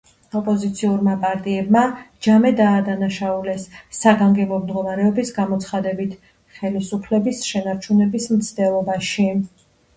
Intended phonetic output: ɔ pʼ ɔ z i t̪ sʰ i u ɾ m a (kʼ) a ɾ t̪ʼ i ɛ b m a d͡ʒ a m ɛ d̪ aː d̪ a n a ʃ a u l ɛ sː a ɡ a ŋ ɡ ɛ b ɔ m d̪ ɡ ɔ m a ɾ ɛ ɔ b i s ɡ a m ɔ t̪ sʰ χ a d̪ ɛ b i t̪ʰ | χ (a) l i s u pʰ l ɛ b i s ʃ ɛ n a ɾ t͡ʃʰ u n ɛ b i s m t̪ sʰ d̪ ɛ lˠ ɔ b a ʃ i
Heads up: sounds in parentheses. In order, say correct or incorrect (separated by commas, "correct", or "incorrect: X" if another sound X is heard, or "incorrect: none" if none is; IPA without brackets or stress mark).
incorrect: pʼ, incorrect: ɛ